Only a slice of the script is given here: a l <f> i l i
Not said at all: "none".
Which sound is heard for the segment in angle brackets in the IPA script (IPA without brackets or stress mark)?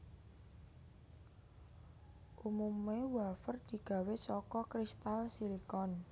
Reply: s